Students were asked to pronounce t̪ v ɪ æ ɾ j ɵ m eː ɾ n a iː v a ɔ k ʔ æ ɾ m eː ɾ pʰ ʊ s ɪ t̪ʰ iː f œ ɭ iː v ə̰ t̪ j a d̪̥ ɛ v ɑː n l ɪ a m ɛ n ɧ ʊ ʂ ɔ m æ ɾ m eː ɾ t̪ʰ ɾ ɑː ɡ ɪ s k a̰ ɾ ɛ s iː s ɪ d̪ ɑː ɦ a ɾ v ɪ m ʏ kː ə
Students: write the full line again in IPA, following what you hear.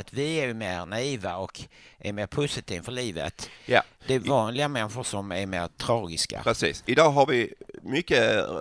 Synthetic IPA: t̪ v ɪ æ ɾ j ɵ m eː ɾ n a iː v a ɔ k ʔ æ ɾ m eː ɾ pʰ ʊ s ɪ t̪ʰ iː f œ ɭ iː v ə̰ t̪ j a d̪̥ ɛ v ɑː n l ɪ a m ɛ n ɧ ʊ ʂ ɔ m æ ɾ m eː ɾ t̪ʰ ɾ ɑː ɡ ɪ s k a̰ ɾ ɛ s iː s ɪ d̪ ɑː ɦ a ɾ v ɪ m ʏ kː ə